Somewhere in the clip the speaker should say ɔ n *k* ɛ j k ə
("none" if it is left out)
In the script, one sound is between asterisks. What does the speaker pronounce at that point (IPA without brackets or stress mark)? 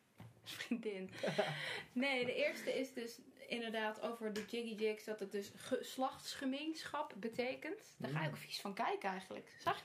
k